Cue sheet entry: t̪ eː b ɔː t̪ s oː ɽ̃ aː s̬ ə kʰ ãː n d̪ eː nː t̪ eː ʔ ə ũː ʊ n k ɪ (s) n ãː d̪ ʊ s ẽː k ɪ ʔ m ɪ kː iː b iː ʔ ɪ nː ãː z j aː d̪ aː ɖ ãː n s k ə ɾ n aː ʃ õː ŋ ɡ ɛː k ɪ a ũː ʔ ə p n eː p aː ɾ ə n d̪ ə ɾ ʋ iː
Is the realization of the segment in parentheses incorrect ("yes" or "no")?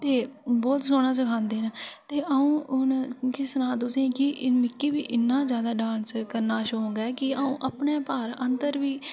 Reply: no